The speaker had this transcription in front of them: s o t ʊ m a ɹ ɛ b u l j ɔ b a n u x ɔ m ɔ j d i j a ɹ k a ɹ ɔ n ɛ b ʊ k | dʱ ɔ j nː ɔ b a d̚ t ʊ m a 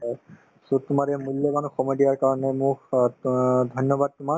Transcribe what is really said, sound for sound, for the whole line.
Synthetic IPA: s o t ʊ m a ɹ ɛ m u l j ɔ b a n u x ɔ m ɔ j d i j a ɹ k a ɹ ɔ n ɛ m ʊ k | dʱ ɔ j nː ɔ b a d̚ t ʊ m a